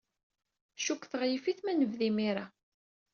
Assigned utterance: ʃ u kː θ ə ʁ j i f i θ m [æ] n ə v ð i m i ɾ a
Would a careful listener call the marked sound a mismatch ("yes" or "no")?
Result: no